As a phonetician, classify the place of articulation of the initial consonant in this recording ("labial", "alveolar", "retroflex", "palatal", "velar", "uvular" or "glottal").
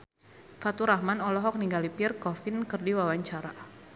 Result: labial